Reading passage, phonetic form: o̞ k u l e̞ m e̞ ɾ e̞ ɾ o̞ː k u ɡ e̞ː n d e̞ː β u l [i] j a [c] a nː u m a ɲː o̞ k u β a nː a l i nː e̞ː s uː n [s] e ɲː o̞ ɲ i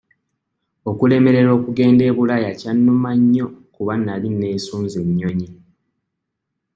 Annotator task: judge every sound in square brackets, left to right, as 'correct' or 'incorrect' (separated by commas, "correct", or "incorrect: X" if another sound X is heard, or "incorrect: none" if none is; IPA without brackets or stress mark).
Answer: incorrect: a, correct, incorrect: z